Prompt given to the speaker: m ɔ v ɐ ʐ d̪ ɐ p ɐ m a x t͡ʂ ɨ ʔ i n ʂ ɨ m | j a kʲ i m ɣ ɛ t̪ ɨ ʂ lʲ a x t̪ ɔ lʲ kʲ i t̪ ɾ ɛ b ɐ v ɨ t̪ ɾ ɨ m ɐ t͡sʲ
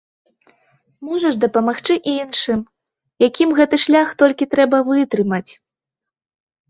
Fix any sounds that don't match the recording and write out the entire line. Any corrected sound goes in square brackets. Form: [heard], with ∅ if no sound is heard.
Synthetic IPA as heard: m ɔ [ʐ] ɐ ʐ d̪ ɐ p ɐ m a x t͡ʂ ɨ ʔ i n ʂ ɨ m | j a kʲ i m ɣ ɛ t̪ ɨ ʂ lʲ a x t̪ ɔ lʲ kʲ i t̪ ɾ ɛ b ɐ v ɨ t̪ ɾ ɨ m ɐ t͡sʲ